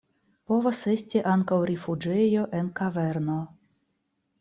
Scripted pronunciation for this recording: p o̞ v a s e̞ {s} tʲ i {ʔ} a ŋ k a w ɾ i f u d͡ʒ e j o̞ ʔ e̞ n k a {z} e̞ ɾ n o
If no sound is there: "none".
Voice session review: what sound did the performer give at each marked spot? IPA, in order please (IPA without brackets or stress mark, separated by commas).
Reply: s, ʔ, v